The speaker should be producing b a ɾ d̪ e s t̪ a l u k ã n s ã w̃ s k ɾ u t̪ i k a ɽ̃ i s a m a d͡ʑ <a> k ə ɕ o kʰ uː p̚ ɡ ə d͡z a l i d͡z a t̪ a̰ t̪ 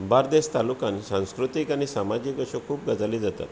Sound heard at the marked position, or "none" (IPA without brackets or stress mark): i